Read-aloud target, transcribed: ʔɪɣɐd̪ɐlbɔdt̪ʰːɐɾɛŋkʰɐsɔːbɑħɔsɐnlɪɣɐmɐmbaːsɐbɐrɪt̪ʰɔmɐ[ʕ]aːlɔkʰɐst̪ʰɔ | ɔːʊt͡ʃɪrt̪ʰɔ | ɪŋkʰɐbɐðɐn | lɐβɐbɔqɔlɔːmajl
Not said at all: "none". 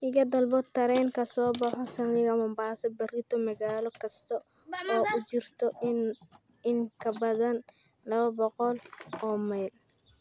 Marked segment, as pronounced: ɣ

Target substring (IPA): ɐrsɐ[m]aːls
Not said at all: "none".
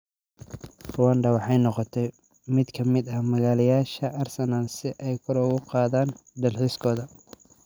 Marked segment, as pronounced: n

